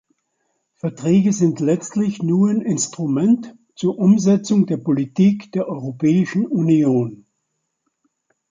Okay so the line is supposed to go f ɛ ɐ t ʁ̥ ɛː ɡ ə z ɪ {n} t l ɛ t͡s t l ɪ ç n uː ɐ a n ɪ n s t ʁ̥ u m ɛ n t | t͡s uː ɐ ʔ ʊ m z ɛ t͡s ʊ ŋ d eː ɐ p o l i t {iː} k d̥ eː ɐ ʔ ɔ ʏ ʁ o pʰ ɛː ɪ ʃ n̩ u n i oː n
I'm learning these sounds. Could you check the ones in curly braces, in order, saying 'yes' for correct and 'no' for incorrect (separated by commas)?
yes, yes